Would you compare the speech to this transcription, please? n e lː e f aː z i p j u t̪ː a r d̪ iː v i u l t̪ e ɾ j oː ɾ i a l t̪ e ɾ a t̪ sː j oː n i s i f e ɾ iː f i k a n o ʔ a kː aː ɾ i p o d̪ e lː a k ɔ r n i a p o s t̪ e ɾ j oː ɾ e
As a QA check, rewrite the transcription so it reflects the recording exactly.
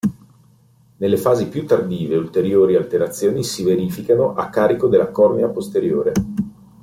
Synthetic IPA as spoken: n e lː e f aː z i p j u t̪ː a r d̪ iː v e u l t̪ e ɾ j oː ɾ i a l t̪ e ɾ a t̪ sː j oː n i s i v e ɾ iː f i k a n o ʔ a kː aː ɾ i k o d̪ e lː a k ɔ r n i a p o s t̪ e ɾ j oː ɾ e